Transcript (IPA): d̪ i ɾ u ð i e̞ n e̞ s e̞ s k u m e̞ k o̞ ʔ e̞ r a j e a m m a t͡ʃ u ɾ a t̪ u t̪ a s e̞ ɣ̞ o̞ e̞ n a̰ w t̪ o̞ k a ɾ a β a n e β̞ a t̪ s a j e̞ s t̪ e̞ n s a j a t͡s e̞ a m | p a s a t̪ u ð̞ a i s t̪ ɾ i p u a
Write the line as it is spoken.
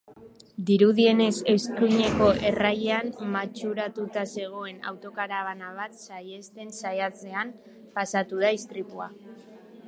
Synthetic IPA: d̪ i ɾ u ð i e̞ n e̞ s e̞ s k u ɲ e̞ k o̞ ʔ e̞ r a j e a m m a t͡ʃ u ɾ a t̪ u t̪ a s e̞ ɣ̞ o̞ e̞ n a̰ w t̪ o̞ k a ɾ a β a n a β̞ a t̪ s a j e̞ s t̪ e̞ n s a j a t͡s e̞ a m | p a s a t̪ u ð̞ a i s t̪ ɾ i p u a